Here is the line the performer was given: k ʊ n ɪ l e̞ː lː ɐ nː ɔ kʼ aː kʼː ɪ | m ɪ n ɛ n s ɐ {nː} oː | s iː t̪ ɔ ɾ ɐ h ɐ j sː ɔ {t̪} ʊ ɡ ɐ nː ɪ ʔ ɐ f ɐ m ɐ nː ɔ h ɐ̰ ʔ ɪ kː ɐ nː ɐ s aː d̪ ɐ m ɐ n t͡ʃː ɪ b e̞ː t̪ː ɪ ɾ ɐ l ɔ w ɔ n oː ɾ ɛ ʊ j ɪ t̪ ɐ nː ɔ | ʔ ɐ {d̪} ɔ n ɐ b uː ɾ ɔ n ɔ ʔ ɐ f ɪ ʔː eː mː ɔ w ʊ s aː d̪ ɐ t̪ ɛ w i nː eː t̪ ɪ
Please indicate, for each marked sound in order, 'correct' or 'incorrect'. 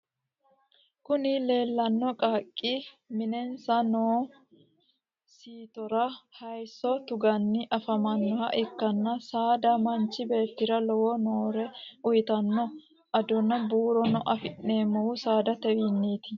incorrect: n, correct, correct

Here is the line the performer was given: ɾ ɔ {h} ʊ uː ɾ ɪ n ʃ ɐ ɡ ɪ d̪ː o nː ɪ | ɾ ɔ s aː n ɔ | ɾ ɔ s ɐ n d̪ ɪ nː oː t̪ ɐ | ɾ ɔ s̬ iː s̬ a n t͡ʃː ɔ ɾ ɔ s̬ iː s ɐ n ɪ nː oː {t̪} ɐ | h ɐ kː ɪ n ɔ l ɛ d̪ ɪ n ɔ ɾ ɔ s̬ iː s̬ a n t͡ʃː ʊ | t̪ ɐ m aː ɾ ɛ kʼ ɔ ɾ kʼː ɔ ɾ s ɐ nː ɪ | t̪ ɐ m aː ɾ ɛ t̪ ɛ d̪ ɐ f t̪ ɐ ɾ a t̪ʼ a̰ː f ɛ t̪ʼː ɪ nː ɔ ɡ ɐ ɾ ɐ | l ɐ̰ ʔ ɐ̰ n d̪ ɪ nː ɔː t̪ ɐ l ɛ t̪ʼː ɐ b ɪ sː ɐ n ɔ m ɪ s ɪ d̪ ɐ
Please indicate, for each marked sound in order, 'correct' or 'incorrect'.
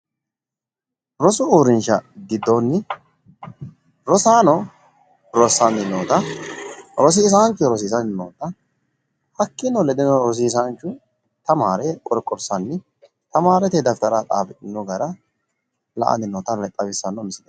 incorrect: s, correct

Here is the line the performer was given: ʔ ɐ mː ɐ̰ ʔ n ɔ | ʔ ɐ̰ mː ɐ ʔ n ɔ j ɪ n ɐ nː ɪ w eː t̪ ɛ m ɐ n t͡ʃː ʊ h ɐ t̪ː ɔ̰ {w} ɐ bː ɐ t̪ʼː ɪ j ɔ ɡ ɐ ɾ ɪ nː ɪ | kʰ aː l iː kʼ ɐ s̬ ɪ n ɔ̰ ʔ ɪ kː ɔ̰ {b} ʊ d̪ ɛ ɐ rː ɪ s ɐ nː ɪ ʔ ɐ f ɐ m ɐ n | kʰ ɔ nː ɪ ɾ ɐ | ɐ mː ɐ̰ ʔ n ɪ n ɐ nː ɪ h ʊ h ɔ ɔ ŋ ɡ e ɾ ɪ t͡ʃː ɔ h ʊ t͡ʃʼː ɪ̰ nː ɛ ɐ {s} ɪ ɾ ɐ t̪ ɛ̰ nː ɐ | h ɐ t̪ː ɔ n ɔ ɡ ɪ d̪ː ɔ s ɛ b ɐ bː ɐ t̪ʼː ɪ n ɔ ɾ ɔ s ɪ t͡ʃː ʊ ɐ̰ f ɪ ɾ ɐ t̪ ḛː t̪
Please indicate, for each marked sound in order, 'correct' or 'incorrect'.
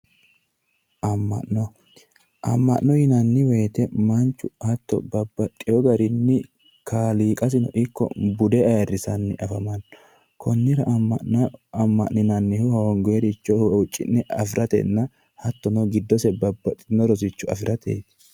incorrect: b, correct, incorrect: f

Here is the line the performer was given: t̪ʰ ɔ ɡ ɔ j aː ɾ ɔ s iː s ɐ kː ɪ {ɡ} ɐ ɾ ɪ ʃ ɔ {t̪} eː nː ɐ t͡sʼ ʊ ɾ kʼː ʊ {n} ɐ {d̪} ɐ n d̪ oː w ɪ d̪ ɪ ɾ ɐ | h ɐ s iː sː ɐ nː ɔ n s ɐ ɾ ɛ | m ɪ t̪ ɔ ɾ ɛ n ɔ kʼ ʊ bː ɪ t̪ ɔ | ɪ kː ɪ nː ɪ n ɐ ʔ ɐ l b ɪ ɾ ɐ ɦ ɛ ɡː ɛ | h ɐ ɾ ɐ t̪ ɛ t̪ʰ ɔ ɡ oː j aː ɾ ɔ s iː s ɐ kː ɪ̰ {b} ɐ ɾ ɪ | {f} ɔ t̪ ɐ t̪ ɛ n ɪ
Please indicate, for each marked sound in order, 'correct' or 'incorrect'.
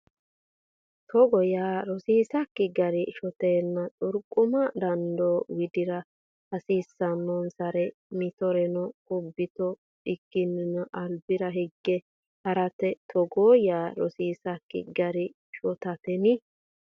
correct, correct, incorrect: m, correct, incorrect: ɡ, incorrect: ʃ

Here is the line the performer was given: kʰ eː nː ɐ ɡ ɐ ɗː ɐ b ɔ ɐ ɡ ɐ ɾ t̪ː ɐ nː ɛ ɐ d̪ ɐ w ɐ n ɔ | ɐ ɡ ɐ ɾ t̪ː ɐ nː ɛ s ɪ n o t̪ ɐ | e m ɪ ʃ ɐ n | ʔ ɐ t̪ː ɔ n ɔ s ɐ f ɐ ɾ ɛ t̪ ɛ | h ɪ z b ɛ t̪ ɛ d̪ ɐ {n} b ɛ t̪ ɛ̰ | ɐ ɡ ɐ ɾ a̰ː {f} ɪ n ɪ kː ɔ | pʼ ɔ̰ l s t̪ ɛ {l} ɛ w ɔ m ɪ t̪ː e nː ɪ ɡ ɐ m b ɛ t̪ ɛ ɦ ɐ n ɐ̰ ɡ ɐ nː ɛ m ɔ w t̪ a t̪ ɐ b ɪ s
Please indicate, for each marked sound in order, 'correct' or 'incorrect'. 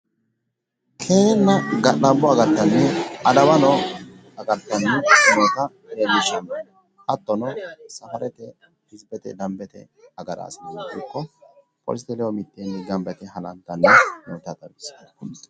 incorrect: m, incorrect: s, correct

